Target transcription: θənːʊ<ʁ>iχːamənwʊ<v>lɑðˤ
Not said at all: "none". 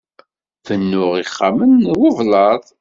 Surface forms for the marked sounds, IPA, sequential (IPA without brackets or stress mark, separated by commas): ʁ, v